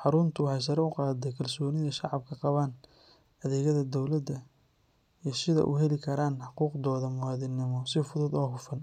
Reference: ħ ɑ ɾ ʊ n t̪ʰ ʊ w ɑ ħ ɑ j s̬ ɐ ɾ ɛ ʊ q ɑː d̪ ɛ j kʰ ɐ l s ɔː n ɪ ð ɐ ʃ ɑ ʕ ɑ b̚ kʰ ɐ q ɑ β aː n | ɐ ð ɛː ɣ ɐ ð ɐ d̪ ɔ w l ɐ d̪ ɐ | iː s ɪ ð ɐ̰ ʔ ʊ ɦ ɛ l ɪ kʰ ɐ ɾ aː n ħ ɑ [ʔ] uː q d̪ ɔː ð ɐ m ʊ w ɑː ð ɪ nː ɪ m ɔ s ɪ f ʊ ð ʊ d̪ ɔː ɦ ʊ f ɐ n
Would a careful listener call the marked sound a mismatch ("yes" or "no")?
yes